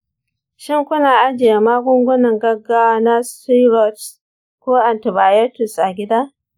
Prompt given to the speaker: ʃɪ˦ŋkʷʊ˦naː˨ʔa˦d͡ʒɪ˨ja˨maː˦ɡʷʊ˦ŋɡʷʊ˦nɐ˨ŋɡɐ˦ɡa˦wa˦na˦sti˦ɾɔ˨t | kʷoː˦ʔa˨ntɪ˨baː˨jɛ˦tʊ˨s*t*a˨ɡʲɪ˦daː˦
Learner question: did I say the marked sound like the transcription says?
no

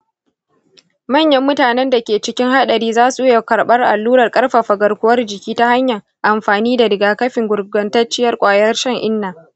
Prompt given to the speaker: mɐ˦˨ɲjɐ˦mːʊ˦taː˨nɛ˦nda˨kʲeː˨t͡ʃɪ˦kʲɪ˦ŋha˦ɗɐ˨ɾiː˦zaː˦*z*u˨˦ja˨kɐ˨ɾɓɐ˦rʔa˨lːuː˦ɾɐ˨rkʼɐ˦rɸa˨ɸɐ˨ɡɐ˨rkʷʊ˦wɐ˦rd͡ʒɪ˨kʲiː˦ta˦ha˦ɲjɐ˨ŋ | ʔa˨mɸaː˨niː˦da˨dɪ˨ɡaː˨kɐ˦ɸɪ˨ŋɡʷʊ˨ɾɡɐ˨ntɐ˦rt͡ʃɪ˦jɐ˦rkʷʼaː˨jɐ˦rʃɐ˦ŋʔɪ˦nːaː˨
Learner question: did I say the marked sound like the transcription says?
no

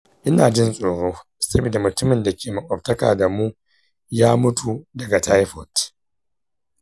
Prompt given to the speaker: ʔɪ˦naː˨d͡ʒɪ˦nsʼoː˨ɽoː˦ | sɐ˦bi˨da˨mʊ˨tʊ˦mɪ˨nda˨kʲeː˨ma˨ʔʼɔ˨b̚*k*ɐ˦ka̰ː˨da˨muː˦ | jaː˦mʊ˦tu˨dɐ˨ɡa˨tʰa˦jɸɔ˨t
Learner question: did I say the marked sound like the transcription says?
no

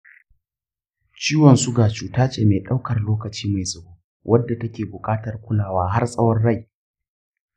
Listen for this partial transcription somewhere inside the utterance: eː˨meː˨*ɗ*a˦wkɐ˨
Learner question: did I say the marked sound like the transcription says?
yes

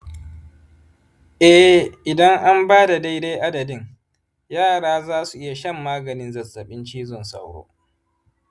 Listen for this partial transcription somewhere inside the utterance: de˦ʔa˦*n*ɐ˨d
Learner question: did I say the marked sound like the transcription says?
no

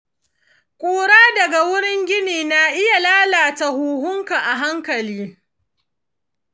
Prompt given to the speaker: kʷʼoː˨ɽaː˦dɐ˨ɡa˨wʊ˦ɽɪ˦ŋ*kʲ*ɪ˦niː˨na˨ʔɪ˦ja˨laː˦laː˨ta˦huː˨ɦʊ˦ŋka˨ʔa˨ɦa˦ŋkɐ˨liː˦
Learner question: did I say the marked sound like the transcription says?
no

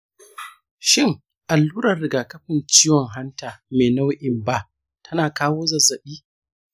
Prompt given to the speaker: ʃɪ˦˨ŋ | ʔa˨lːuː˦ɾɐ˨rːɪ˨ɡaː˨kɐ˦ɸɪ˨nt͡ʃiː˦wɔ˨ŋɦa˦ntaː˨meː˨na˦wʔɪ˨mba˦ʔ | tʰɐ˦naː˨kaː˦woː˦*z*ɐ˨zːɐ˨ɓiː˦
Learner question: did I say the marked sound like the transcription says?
yes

